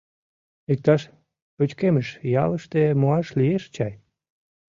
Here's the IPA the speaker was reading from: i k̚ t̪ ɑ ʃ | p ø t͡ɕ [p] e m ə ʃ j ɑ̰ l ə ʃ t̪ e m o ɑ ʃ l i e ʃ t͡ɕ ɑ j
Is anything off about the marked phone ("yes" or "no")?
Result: yes